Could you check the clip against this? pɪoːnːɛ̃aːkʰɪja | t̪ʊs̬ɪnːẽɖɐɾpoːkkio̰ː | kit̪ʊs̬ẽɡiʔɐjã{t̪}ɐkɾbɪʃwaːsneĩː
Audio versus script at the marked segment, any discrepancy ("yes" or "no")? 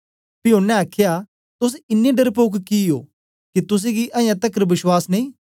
no